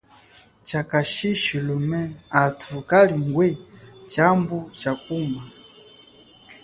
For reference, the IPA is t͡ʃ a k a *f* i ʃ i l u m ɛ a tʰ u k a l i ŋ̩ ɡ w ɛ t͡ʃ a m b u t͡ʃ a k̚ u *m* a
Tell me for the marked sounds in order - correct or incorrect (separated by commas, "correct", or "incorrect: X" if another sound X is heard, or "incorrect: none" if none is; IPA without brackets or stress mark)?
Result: incorrect: ʃ, correct